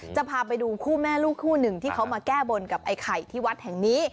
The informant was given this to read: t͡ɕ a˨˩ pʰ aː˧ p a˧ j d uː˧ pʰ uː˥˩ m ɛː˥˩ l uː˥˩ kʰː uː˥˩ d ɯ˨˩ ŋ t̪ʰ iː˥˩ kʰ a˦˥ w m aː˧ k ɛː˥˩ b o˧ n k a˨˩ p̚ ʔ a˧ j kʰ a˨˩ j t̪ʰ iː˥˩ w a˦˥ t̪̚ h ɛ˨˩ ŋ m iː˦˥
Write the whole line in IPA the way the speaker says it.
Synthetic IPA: t͡ɕ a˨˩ pʰ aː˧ p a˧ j d uː˧ kʰ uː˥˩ m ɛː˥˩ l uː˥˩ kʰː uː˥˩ n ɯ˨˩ ŋ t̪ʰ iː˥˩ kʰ a˦˥ w m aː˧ k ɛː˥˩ b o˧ n k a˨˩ p̚ ʔ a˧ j kʰ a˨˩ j t̪ʰ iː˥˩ w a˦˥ t̪̚ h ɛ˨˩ ŋ n iː˦˥